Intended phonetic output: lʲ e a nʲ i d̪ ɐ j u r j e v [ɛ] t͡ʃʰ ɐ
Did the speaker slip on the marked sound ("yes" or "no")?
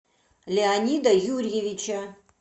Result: yes